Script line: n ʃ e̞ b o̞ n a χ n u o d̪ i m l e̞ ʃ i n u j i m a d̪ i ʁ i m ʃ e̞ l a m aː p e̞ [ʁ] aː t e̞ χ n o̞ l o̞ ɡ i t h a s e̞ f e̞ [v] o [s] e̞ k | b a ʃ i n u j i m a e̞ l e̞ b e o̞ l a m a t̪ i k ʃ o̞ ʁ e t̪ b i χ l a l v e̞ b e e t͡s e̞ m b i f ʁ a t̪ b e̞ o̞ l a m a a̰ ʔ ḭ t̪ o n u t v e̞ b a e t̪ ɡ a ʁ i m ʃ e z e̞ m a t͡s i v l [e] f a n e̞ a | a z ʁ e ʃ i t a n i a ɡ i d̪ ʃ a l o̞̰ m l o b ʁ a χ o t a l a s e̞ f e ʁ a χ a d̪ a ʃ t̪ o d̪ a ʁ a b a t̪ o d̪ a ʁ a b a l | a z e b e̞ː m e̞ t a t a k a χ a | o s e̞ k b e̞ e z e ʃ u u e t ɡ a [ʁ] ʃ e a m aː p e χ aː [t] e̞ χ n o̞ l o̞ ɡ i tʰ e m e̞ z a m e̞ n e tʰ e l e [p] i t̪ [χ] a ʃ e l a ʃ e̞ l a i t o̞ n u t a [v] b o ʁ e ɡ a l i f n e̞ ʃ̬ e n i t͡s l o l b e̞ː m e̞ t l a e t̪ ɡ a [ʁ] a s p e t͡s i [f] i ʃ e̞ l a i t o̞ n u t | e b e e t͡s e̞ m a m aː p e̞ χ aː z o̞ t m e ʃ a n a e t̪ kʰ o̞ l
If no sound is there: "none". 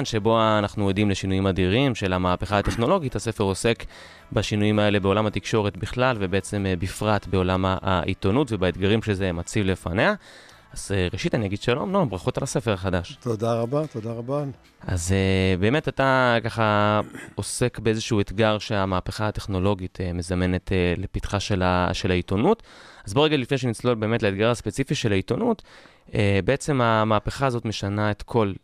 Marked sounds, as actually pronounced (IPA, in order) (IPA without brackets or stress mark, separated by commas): χ, ʁ, s, e, ʁ, t, p, χ, z, ʁ, f